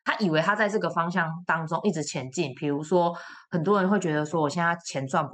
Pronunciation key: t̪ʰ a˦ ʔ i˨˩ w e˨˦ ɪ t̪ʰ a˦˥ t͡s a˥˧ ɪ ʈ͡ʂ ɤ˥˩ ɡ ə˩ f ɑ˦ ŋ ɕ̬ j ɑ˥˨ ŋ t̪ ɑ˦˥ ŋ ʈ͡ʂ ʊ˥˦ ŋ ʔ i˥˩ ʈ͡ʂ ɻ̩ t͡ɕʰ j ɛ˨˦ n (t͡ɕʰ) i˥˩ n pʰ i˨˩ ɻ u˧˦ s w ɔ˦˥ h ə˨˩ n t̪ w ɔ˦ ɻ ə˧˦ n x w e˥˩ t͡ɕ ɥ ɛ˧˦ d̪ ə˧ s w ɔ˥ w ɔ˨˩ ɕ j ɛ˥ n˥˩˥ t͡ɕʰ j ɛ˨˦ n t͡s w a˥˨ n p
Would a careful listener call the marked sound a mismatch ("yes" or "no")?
yes